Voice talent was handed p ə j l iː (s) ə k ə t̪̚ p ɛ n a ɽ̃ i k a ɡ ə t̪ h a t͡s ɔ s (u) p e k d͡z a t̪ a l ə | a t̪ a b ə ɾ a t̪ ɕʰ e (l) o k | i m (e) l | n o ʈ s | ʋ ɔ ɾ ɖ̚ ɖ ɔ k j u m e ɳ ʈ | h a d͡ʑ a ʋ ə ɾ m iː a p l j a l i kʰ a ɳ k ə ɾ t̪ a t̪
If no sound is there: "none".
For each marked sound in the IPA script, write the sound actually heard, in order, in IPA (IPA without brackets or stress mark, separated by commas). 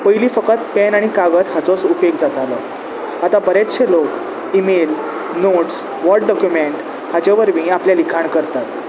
f, u, l, e